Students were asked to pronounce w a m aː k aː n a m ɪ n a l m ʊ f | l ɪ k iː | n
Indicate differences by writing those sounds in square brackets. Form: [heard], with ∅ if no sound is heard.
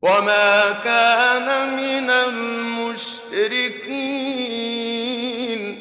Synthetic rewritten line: w a m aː k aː n a m ɪ n a l m ʊ [ʃ] | [ɾ] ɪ k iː | n